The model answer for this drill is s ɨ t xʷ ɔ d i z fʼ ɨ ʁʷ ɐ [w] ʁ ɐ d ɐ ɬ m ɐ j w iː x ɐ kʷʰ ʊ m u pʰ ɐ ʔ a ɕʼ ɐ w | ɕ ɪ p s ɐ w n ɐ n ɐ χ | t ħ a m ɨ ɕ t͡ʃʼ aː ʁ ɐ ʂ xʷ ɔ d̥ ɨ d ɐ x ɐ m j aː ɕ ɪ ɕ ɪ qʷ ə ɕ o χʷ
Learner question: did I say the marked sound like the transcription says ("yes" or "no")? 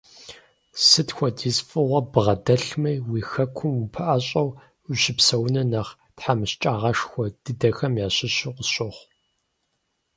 no